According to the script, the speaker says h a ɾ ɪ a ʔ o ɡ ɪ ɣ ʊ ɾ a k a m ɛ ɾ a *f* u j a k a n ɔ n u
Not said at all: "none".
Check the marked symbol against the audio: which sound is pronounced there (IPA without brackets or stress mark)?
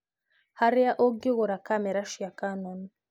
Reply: ʃ